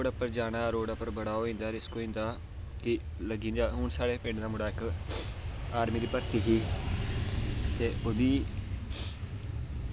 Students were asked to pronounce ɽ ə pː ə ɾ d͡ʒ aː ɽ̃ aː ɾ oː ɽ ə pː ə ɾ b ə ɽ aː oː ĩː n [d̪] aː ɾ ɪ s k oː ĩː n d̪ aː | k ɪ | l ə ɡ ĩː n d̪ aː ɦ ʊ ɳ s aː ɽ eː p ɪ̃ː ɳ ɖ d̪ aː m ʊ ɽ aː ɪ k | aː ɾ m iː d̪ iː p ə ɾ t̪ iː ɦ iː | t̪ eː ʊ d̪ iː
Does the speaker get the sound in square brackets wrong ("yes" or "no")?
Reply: no